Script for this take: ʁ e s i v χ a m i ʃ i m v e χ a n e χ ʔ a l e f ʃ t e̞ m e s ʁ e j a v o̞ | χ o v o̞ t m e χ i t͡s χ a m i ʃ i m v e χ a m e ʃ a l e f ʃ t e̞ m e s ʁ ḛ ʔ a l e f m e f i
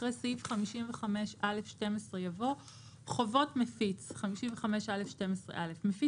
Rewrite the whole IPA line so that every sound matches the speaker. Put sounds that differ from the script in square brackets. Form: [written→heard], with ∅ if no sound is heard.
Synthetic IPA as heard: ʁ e s i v χ a m i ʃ i m v e χ a [n→m] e [χ→ʃ] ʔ a l e f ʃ t e̞ m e s ʁ e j a v o̞ | χ o v o̞ t m e [χ→f] i t͡s χ a m i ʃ i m v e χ a m e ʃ a l e f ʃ t e̞ m e s ʁ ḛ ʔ a l e f m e f i